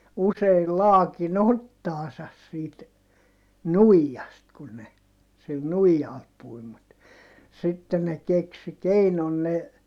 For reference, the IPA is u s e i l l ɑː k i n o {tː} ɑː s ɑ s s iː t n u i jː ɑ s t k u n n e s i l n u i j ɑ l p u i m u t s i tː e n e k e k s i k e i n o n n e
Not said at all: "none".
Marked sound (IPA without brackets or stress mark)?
tː